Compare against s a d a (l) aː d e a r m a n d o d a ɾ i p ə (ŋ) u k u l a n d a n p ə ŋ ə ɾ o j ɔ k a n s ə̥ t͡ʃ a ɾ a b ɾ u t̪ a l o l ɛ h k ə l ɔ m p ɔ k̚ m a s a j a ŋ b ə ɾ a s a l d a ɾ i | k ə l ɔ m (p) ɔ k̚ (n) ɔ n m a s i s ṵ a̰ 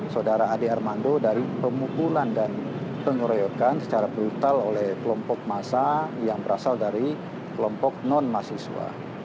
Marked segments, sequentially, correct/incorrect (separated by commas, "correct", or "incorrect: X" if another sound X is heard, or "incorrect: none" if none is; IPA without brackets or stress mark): incorrect: ɾ, incorrect: m, correct, correct